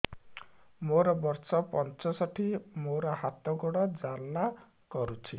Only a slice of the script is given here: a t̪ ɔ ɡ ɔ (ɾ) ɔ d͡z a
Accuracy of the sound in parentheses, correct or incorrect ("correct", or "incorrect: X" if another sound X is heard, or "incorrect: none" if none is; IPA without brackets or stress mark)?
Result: incorrect: ɽ